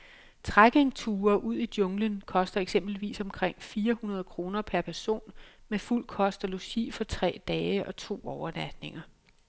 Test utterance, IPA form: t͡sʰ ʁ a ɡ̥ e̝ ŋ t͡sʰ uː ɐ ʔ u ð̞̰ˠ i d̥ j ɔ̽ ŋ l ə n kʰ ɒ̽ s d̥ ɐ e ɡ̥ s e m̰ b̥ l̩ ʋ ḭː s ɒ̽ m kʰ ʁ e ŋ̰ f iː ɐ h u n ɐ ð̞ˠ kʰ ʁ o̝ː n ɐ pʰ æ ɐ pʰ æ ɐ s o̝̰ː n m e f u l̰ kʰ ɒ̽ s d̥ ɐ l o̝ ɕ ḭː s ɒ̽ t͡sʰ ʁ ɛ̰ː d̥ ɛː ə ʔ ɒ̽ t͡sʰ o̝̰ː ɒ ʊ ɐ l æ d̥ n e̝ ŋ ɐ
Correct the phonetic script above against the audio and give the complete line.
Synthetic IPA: t͡sʰ ʁ a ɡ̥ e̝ ŋ t͡sʰ uː ɐ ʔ u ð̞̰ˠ i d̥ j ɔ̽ ŋ l ə n kʰ ɒ̽ s d̥ ɐ e ɡ̥ s e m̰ b̥ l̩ ʋ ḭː s ɒ̽ m kʰ ʁ e ŋ̰ f iː ɐ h u n ɐ ð̞ˠ kʰ ʁ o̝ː n ɐ pʰ æ ɐ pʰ æ ɐ s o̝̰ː n m e f u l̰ kʰ ɒ̽ s d̥ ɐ l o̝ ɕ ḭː f ɒ̽ t͡sʰ ʁ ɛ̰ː d̥ ɛː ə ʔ ɒ̽ t͡sʰ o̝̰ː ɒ ʊ ɐ l æ d̥ n e̝ ŋ ɐ